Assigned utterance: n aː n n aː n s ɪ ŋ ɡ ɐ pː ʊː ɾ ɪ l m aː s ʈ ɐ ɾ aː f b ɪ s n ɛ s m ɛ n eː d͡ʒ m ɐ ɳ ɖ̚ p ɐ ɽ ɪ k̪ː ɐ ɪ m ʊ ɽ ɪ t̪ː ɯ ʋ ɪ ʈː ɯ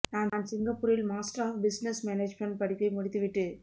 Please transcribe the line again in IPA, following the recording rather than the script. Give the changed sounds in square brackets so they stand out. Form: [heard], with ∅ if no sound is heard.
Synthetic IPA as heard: n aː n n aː n s ɪ ŋ ɡ ɐ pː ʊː ɾ ɪ l m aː s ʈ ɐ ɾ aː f b ɪ s n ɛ s m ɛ n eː d͡ʒ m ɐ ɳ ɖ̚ p ɐ ɽ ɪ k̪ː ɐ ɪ m ʊ ɽ ɪ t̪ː ɯ ʋ ɪ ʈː ɯ